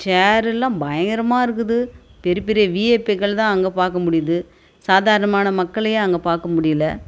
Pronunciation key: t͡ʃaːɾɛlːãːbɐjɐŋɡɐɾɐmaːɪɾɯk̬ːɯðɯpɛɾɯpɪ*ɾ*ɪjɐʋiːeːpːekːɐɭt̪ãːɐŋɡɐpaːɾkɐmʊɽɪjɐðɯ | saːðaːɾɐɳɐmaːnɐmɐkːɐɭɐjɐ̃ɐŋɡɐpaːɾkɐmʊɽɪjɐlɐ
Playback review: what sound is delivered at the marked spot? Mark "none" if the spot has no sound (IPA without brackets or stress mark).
ɾ